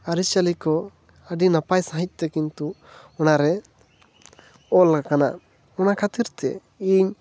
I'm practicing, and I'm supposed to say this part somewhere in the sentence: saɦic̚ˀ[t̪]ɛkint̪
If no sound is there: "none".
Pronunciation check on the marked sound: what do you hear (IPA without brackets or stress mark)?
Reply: t̪